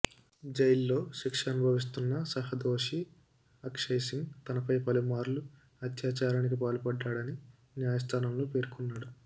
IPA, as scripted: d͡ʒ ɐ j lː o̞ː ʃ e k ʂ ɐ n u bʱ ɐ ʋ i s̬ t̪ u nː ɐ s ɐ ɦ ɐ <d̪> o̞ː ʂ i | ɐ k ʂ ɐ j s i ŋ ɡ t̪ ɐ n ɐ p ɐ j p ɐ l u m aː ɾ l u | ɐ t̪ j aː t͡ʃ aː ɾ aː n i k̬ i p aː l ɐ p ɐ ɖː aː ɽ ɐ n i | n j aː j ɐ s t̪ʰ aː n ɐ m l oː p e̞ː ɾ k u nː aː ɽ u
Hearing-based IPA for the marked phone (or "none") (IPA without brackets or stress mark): d̪